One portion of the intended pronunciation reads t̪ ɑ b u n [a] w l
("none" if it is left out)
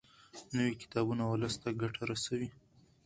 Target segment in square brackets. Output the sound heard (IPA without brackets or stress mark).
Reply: a